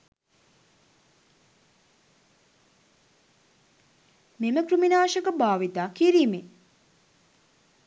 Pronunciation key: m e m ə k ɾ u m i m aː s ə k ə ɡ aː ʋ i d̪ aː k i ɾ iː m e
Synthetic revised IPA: m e m ə k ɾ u m i n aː ʃ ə k ə b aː ʋ i t̪ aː k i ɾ iː m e